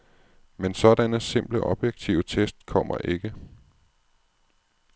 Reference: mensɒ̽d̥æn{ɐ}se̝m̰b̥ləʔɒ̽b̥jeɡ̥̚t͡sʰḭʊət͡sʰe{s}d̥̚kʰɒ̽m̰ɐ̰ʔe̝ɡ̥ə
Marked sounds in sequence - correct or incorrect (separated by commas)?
incorrect, correct